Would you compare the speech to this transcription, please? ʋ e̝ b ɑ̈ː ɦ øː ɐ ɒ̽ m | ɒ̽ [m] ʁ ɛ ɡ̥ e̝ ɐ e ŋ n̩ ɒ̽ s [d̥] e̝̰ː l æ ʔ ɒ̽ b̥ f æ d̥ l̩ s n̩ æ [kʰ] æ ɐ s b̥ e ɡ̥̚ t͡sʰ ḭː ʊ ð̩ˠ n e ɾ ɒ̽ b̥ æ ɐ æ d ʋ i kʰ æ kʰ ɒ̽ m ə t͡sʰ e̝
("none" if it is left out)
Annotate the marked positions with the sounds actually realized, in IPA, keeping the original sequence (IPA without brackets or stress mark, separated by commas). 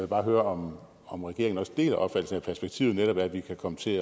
m, d̥, pʰ